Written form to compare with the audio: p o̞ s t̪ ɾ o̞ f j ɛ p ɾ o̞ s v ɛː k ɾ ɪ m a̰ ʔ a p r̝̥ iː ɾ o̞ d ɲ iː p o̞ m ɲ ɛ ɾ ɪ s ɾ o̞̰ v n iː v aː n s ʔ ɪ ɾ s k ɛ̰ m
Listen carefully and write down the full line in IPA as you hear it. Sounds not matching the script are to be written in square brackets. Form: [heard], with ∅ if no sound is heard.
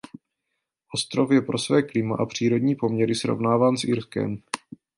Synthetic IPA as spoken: [ʔ] o̞ s t̪ ɾ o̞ f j ɛ p ɾ o̞ s v ɛː k [l] ɪ m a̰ ʔ a p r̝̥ iː ɾ o̞ d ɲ iː p o̞ m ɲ ɛ ɾ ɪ s ɾ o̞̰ v n [aː] v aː n s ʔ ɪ ɾ s k ɛ̰ m